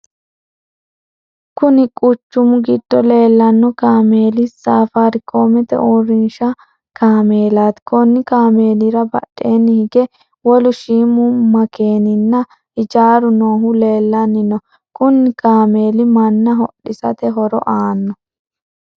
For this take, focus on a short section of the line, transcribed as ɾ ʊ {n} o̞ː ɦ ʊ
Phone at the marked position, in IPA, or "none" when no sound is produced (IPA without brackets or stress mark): n